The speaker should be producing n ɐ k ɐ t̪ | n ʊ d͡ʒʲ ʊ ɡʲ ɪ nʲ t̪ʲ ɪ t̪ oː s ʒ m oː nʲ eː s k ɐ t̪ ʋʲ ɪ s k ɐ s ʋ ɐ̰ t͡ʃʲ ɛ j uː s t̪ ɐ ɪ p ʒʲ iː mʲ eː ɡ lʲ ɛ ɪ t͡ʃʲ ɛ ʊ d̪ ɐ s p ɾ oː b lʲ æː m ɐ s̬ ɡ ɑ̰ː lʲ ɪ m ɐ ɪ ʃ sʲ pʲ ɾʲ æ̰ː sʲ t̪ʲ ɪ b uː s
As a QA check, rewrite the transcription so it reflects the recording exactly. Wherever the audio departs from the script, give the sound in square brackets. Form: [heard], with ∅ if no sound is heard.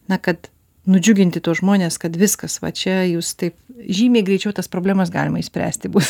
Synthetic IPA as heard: n ɐ k ɐ t̪ | n ʊ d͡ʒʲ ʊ ɡʲ ɪ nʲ t̪ʲ ɪ t̪ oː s ʒ m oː nʲ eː s k ɐ t̪ ʋʲ ɪ s k ɐ s ʋ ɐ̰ t͡ʃʲ ɛ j uː s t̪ ɐ ɪ p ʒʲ iː mʲ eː ɡ [ɾʲ] ɛ ɪ t͡ʃʲ ɛ ʊ [t̪] ɐ s p ɾ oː b lʲ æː m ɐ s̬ ɡ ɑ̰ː lʲ ɪ m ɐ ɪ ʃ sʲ pʲ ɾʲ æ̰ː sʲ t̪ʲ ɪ b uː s